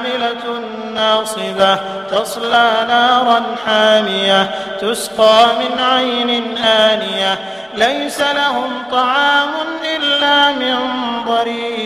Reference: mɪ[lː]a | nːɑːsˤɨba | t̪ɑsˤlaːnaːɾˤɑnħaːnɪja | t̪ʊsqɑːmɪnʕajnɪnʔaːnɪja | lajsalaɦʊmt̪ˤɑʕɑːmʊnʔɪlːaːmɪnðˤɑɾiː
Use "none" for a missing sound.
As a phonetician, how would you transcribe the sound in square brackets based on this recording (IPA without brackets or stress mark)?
l